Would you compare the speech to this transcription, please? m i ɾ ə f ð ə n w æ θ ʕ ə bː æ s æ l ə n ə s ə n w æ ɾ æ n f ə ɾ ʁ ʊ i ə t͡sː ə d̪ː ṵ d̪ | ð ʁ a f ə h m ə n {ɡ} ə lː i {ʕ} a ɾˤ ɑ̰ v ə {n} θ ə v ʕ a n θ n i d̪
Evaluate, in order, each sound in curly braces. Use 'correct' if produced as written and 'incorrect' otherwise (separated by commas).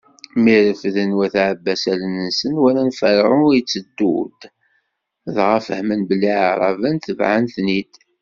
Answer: incorrect, correct, correct